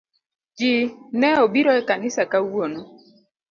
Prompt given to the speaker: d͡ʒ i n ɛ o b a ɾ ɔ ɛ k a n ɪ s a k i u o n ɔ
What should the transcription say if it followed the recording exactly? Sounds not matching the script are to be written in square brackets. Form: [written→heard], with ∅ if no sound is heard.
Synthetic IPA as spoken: d͡ʒ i n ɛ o b [a→i] ɾ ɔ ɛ k a n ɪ s a k [i→a] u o n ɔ